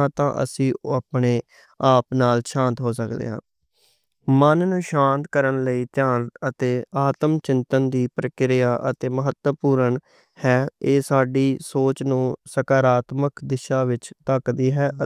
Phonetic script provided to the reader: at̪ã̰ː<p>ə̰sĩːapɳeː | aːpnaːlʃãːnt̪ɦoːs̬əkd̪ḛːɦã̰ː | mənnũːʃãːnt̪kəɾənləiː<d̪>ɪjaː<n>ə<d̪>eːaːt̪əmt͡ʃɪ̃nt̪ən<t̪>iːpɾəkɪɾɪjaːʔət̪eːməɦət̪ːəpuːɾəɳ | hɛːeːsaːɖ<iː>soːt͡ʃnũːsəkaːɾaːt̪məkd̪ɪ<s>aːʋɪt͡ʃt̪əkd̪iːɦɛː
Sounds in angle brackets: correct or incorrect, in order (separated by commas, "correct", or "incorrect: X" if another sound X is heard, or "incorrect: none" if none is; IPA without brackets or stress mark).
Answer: incorrect: ʔ, incorrect: t̪, correct, incorrect: t̪, incorrect: d̪, correct, incorrect: ʃ